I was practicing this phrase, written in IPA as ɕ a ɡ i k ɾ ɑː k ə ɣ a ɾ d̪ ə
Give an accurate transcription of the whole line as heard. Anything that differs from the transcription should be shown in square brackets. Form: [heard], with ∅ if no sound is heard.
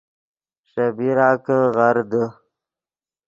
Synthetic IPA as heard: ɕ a [b] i [∅] ɾ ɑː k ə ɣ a ɾ d̪ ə